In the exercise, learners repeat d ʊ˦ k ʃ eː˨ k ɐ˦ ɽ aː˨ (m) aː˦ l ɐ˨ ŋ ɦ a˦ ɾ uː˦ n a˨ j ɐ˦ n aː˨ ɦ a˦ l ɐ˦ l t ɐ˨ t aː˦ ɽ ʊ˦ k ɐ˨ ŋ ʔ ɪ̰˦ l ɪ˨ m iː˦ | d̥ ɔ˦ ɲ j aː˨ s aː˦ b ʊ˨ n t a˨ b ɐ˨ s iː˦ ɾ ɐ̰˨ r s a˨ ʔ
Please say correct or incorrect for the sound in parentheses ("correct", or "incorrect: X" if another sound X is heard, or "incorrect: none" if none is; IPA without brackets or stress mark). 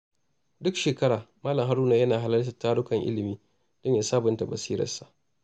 correct